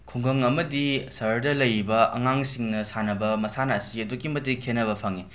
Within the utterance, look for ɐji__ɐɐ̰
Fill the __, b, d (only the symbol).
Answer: b